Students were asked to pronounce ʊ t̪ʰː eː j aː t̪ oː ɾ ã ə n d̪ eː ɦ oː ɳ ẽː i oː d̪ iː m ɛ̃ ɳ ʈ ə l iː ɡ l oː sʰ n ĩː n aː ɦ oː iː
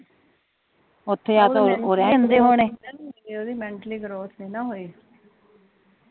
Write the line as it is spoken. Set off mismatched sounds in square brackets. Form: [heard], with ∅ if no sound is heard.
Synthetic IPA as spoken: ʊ t̪ʰː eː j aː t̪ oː ɾ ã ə n d̪ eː ɦ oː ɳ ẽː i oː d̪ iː m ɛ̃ ɳ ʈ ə l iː ɡ [ɾ] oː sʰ n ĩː n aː ɦ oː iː